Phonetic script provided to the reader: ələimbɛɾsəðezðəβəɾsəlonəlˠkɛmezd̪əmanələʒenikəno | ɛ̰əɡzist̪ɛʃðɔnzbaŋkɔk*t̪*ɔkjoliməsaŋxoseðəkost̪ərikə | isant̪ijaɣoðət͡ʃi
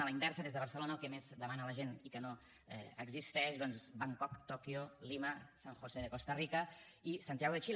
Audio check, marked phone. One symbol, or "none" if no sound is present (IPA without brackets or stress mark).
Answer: t̪